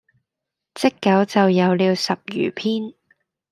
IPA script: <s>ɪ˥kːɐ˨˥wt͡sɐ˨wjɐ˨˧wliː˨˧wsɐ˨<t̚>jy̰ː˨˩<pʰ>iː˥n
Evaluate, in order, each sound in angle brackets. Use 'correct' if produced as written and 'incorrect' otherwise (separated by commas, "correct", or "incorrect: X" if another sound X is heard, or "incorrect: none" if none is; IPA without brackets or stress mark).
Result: incorrect: t͡s, incorrect: p̚, correct